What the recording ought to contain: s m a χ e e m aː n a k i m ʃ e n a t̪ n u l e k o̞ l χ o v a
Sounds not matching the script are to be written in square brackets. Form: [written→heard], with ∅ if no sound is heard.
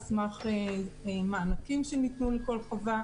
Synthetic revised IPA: s m a χ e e m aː n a k i m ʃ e n [a→i] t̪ n u l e k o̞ l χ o v a